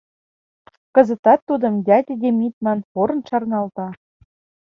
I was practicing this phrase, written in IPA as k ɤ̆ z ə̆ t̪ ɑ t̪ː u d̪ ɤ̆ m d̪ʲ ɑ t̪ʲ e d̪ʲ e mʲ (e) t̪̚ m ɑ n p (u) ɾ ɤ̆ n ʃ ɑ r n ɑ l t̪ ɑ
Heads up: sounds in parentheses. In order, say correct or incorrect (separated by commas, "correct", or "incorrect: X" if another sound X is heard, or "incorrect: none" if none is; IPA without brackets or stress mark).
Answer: incorrect: i, incorrect: o